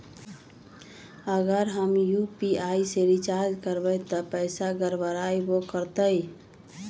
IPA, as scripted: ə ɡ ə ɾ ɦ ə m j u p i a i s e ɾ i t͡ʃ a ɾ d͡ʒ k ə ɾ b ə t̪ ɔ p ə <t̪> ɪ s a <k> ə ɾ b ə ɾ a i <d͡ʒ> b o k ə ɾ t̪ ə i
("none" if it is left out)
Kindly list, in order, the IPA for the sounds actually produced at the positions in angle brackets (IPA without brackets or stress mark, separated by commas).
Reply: none, ɡ, none